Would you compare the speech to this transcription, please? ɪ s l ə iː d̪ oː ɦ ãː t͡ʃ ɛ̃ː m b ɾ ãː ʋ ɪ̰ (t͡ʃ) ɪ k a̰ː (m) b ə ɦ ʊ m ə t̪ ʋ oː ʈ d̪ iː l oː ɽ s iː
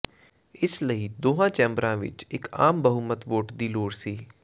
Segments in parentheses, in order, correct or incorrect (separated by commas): correct, correct